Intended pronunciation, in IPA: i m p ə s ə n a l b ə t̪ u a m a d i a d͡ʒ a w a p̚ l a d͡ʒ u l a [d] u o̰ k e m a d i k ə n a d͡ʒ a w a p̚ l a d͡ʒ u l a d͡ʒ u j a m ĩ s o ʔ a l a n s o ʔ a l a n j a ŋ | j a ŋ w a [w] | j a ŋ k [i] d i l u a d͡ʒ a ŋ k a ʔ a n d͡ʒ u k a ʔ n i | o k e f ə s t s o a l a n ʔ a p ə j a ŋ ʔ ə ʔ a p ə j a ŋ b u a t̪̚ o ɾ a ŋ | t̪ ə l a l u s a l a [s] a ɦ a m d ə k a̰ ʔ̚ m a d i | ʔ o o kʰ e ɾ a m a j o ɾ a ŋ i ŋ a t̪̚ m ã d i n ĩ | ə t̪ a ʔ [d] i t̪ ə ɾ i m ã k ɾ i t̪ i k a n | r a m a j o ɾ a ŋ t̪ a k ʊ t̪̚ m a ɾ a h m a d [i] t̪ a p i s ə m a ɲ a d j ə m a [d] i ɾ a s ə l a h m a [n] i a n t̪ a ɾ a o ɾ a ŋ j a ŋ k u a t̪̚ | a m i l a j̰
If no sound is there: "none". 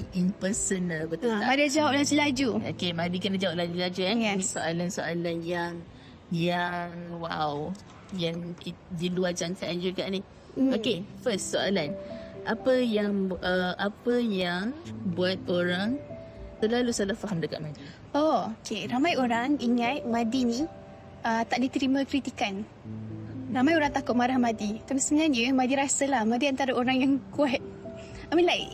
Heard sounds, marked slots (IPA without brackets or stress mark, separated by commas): d͡ʒ, w, i, f, d, i, d, d